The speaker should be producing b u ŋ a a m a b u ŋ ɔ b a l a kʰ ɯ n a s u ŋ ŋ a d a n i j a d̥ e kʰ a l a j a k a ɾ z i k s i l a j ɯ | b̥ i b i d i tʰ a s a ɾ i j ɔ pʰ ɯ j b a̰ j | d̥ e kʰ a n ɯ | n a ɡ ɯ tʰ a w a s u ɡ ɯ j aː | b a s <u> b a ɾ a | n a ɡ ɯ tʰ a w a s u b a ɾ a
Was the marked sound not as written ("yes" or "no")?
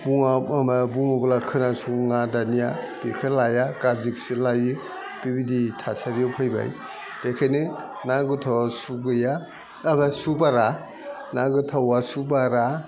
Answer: no